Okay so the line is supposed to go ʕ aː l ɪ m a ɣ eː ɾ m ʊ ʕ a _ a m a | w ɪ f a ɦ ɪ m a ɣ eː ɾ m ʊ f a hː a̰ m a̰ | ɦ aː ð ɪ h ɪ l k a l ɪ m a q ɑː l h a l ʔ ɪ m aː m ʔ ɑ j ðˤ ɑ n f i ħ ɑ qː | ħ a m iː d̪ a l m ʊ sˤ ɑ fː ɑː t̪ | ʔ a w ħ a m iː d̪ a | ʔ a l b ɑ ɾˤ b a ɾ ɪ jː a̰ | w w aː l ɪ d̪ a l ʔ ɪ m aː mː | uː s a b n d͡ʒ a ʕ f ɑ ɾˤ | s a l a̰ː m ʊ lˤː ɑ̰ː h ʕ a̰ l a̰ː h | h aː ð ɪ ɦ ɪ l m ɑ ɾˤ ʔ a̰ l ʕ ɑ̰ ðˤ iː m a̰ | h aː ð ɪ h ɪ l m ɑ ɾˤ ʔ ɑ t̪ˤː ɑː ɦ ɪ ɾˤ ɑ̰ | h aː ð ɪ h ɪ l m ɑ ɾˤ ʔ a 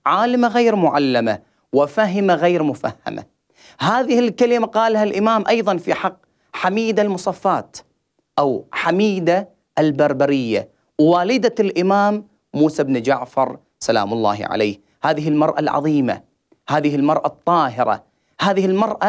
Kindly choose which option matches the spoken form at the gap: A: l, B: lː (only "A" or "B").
B